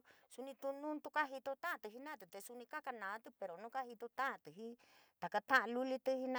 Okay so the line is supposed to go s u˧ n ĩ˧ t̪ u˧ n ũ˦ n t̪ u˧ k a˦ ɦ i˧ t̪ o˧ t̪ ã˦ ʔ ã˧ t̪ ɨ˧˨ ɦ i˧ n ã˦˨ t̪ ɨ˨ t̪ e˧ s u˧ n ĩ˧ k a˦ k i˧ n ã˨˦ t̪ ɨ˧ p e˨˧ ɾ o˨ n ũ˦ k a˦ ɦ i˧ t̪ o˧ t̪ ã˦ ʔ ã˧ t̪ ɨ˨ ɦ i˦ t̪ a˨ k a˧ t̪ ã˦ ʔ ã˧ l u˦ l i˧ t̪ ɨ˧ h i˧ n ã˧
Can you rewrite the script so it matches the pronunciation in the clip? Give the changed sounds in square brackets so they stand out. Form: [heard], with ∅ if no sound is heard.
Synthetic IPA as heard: s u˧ n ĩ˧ t̪ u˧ n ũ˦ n t̪ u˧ k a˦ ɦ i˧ t̪ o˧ t̪ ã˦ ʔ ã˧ t̪ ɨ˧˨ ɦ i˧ n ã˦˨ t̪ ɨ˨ t̪ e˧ s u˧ n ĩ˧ k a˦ k [a˧] n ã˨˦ t̪ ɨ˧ p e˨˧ ɾ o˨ n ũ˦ k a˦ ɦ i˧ t̪ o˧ t̪ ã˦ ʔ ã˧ t̪ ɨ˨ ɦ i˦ t̪ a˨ k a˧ t̪ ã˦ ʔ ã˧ l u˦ l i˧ t̪ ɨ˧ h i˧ n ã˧